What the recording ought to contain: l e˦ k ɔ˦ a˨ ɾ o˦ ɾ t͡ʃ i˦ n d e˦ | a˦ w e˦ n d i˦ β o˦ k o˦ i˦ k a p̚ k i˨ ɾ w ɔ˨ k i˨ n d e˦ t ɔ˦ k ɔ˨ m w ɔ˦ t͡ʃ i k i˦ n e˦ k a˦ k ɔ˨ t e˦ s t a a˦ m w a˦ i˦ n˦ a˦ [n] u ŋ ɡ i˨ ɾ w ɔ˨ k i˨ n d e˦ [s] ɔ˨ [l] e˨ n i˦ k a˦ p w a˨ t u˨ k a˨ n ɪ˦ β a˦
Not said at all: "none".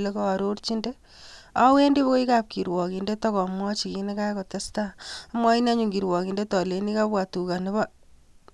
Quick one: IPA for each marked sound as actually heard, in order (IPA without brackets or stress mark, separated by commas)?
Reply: ɲ, t, l